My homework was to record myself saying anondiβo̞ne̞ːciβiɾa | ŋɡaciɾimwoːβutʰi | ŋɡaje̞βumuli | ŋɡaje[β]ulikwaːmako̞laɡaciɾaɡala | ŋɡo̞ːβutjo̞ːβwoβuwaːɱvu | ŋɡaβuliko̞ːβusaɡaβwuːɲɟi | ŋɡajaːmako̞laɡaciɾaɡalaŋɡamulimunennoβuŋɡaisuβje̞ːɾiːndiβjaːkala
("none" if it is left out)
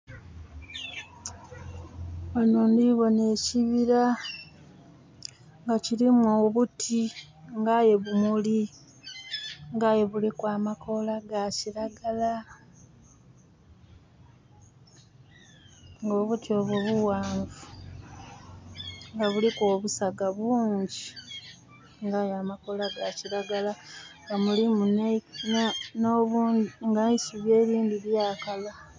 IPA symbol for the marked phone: β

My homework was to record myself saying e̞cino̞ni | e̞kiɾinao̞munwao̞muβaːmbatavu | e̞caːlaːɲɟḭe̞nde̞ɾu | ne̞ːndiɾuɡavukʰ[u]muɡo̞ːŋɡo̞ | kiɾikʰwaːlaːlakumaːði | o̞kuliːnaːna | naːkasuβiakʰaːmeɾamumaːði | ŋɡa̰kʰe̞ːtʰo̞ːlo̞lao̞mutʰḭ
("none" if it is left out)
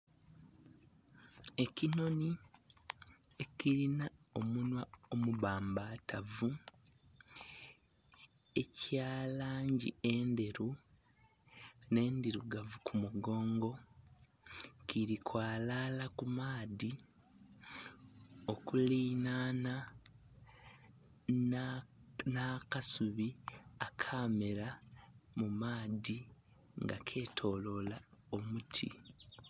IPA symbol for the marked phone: u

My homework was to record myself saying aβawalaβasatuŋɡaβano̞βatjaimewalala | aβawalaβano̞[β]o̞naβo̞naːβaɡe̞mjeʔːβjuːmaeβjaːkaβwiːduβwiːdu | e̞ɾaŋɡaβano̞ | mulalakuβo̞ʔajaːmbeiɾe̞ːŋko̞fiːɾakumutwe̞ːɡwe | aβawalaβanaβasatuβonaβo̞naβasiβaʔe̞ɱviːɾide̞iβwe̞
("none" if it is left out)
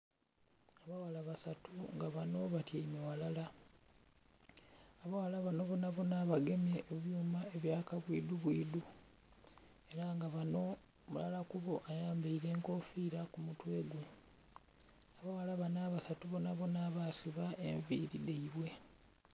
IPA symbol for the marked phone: β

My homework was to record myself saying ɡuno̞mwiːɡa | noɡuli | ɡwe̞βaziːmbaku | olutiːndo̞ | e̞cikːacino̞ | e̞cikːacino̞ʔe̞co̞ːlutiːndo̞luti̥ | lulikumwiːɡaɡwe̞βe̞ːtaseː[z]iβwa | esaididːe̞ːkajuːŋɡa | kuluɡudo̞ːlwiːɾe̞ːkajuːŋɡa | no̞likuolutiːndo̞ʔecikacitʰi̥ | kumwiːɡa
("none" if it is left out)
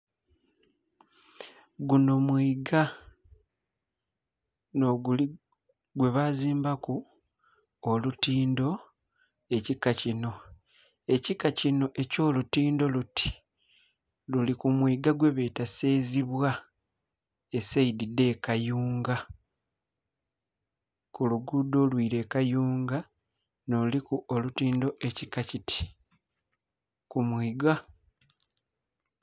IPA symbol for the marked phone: z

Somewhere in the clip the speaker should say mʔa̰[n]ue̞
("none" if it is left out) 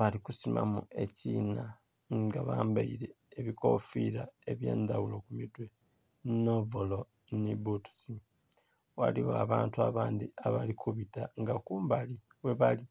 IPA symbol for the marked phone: m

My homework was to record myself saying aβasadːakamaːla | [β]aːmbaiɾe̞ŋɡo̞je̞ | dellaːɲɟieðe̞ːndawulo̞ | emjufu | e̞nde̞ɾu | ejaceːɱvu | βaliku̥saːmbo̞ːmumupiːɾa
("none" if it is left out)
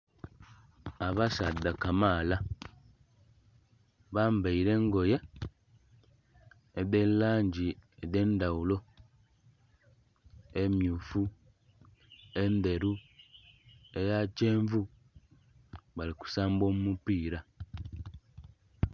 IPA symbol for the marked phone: β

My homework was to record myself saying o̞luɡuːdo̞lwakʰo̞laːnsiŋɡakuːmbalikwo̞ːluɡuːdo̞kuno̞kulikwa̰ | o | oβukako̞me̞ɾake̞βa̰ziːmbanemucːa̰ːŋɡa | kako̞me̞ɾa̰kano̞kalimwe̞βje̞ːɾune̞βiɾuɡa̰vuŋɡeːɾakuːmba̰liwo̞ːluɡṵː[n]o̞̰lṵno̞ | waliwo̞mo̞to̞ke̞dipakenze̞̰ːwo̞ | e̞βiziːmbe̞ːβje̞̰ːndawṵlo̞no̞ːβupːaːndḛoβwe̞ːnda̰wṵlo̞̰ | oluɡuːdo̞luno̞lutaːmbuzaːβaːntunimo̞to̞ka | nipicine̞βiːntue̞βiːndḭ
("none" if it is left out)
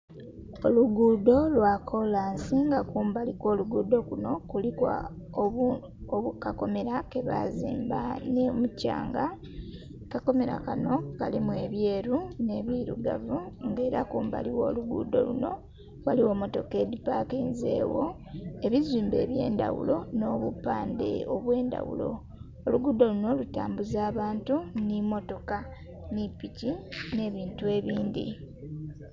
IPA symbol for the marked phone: d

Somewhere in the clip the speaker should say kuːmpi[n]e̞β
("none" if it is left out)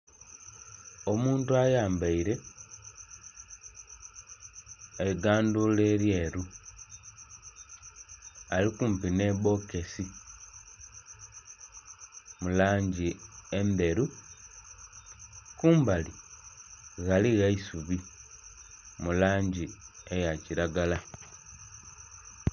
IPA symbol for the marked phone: n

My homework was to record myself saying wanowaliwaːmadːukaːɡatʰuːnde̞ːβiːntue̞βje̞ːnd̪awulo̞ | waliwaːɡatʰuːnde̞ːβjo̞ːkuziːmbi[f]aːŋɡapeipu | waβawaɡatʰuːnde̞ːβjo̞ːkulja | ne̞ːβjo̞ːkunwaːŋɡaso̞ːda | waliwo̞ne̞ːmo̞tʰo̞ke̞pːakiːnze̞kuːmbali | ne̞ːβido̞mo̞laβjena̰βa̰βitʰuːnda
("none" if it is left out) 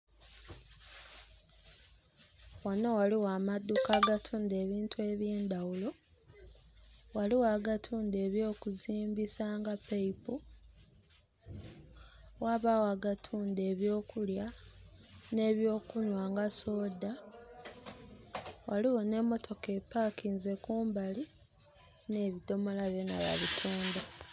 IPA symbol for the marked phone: s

